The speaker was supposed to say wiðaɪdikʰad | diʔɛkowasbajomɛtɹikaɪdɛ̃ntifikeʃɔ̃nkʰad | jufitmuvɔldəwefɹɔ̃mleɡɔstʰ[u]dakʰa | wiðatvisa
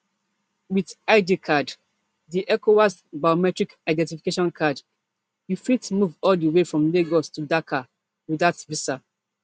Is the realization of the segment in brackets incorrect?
no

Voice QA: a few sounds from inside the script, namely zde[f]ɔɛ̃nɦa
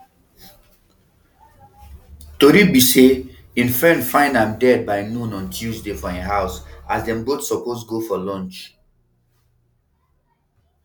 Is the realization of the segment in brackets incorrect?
no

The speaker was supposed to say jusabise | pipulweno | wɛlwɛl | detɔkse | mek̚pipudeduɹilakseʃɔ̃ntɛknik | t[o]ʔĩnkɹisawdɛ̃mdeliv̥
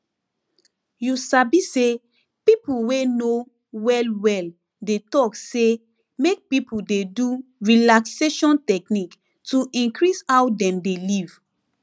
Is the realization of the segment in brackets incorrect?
yes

